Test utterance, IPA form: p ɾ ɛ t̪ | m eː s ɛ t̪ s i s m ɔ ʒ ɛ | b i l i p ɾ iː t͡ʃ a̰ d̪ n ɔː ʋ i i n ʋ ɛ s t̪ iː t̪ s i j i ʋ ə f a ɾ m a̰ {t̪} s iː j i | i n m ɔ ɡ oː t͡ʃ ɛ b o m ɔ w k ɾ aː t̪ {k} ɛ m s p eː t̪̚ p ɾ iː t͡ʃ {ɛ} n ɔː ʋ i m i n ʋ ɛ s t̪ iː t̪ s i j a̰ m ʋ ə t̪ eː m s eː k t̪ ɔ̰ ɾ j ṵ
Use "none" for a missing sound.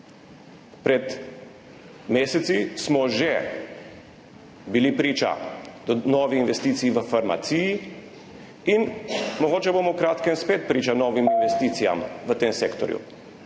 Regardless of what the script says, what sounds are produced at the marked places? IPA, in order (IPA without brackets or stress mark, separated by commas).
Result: t̪, k, a